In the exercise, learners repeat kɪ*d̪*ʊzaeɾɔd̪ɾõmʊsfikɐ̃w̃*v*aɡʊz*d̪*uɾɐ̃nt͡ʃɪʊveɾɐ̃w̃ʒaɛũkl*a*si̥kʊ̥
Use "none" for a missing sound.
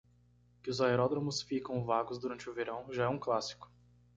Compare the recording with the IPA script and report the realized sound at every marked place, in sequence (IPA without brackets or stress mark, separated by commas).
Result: none, v, d̪, a